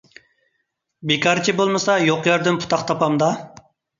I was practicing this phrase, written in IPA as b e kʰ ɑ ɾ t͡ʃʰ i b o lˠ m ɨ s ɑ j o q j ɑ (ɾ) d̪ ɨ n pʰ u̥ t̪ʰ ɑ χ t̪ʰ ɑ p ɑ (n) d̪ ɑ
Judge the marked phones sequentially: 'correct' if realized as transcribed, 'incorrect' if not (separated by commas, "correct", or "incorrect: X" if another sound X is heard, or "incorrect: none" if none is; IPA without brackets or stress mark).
correct, incorrect: m